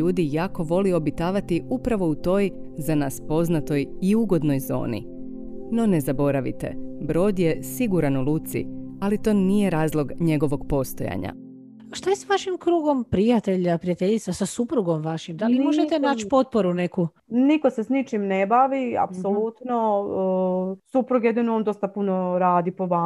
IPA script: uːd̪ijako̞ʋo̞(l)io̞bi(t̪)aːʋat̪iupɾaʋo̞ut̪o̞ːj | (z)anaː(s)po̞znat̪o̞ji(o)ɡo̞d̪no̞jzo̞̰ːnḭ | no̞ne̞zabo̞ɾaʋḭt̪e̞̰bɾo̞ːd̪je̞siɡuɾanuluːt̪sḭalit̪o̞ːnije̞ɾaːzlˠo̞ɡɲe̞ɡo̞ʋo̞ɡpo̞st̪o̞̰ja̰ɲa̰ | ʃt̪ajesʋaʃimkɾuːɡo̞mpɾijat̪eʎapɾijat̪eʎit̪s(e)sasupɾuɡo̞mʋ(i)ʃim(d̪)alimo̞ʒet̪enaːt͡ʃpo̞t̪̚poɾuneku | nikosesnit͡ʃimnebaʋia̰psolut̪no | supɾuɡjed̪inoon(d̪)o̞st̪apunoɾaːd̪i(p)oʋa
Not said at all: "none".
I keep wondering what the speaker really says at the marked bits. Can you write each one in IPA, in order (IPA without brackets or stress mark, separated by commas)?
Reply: l, t̪, z, s, u, a, a, d̪, d̪, p